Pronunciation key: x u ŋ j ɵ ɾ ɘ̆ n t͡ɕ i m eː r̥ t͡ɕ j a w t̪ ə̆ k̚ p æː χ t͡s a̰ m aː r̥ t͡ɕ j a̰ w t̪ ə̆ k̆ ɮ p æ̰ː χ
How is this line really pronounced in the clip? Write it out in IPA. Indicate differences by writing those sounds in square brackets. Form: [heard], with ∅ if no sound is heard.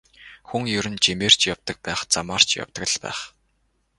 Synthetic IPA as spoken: x u ŋ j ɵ ɾ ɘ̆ n t͡ɕ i m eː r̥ t͡ɕ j a w t̪ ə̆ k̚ p æː χ t͡s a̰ m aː r̥ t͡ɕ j a̰ w t̪ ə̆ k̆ ɮ p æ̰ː χ